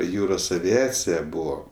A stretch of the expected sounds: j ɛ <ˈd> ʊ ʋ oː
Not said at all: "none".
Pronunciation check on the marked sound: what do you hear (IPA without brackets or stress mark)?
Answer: b